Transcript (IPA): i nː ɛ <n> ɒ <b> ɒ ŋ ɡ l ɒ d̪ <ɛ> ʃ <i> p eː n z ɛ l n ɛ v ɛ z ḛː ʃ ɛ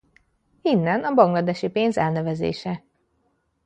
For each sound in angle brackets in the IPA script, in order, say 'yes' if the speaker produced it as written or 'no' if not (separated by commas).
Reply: yes, yes, yes, yes